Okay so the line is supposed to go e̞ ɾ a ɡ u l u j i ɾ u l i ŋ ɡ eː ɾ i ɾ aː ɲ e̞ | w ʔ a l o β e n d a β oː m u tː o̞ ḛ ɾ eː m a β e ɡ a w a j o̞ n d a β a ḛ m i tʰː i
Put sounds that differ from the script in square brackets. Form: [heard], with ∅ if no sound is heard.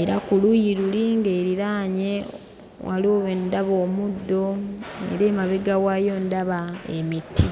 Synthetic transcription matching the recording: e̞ ɾ a [k] u l u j i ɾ u l i ŋ ɡ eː ɾ i ɾ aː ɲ e̞ | w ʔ a l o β e n d a β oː m u [dː] o̞ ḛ ɾ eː m a β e ɡ a w a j o̞ n d a β a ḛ m i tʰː i

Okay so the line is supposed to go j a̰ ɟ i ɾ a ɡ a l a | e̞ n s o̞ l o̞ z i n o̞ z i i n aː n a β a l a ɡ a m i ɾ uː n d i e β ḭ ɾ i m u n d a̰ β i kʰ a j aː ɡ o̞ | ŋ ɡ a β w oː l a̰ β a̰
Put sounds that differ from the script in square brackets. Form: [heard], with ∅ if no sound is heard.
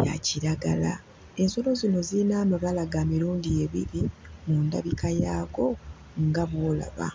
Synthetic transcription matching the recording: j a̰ [c] i ɾ a ɡ a l a | e̞ n s o̞ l o̞ z i n o̞ z i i n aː [m] a β a l a ɡ a m i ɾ uː n d i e β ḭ ɾ i m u n d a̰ β i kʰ a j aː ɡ o̞ | ŋ ɡ a β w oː l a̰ β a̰

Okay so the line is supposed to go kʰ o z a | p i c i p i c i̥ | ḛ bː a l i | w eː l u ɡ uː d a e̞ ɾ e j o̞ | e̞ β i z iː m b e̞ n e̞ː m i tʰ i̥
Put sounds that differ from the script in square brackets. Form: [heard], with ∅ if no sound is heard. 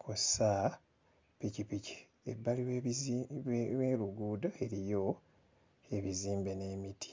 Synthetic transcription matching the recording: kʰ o [s] a | p i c i p i c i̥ | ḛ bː a l i | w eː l u ɡ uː d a e̞ ɾ [i] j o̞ | e̞ β i z iː m b e̞ n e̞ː m i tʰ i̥

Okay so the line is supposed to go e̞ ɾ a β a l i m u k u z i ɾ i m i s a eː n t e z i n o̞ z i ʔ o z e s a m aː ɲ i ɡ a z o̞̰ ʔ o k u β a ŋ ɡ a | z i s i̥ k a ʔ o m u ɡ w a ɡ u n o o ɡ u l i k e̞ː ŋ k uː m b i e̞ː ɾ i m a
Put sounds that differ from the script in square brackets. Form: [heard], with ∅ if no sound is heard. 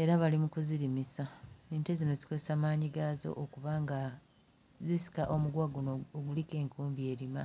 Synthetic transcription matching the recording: e̞ ɾ a β a l i m u k u z i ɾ i m i s a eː n t e z i n o̞ z i [k] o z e s a m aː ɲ i ɡ a z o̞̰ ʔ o k u β a ŋ ɡ a | z i s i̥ k a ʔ o m u ɡ w a ɡ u n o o ɡ u l i k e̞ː ŋ k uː m b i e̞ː ɾ i m a

